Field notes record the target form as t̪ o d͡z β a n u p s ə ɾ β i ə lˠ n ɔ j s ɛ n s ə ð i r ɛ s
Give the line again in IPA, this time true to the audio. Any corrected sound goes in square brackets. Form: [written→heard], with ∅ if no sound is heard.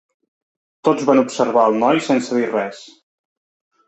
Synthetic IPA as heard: t̪ o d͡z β a n u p s ə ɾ β [i→a] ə lˠ n ɔ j s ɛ n s ə ð i r ɛ s